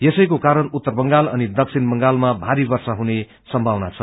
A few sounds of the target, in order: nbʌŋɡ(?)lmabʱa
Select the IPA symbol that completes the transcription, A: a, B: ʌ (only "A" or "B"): A